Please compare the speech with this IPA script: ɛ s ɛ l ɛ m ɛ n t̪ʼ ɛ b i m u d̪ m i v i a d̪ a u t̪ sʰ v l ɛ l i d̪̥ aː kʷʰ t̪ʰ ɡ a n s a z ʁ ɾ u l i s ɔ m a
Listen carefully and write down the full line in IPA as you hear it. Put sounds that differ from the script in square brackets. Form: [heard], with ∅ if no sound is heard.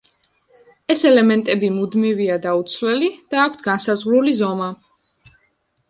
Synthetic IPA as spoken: ɛ s ɛ l ɛ m ɛ n t̪ʼ ɛ b i m u d̪ m i v i a d̪ a u t̪ sʰ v l ɛ l i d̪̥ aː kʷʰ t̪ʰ ɡ a n s a z ʁ ɾ u l i [z] ɔ m a